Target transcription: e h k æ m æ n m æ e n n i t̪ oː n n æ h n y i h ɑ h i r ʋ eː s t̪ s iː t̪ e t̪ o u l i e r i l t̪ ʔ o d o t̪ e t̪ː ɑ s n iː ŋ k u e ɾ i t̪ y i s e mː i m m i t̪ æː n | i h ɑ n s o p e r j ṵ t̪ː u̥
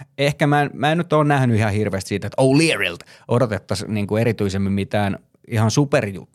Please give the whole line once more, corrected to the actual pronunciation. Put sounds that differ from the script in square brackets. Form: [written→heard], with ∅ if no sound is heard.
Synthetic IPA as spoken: e h k æ m æ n m æ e n n [i→y] t̪ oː n n æ h n y i h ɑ h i r ʋ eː s t̪ s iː t̪ e t̪ o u l i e r i l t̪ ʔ o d o t̪ e t̪ː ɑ s n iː ŋ k u e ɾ i t̪ y i s e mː i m m i t̪ æː n | i h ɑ n s [o→u] p e r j ṵ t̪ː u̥